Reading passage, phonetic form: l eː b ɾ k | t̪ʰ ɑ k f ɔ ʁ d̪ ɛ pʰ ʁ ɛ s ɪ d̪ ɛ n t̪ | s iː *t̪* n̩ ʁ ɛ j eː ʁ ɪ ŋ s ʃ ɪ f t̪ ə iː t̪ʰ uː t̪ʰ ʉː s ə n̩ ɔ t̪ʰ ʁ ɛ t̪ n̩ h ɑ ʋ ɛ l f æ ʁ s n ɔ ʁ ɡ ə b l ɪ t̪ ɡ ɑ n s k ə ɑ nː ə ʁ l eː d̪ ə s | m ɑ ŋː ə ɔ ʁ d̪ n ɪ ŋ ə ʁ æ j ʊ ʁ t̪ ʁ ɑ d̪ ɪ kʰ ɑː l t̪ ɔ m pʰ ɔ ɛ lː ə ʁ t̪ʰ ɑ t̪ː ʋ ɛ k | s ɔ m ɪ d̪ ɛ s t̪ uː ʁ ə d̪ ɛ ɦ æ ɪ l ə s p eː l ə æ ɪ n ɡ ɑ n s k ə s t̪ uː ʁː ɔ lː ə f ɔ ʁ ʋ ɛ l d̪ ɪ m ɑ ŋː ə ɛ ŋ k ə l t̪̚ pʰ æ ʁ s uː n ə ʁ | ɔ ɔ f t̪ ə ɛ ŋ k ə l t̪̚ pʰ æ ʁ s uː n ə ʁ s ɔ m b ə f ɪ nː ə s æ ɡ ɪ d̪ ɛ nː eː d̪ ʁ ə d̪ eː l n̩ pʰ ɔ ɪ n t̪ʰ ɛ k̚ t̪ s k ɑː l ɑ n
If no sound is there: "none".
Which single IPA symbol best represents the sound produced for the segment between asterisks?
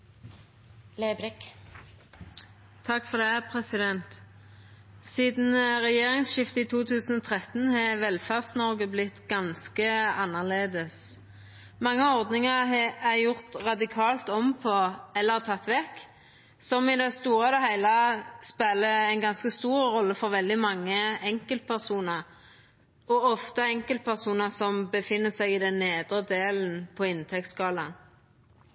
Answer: d̪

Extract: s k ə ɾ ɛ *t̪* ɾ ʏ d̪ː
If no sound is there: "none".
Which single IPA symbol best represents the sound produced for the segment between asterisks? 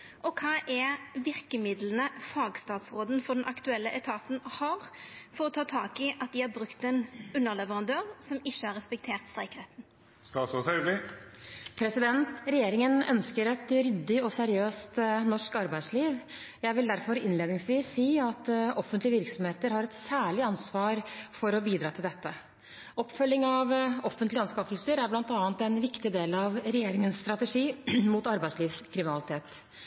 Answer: t̪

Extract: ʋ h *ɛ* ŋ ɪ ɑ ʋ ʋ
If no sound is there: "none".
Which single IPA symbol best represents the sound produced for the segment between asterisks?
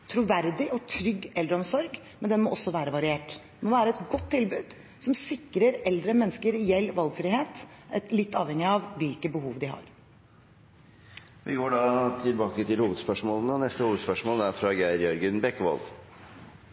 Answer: ɛ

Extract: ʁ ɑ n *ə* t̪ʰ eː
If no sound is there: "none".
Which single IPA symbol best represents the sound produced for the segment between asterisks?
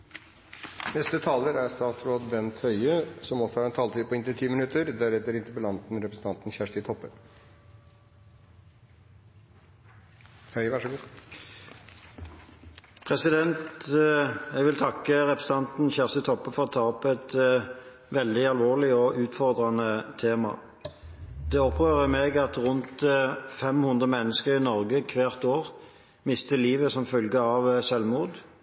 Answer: ə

